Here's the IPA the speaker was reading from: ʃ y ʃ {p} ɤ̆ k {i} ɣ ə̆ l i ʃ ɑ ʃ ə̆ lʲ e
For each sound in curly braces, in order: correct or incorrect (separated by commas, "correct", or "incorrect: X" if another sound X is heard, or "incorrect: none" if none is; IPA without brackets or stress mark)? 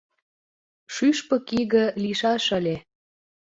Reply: correct, correct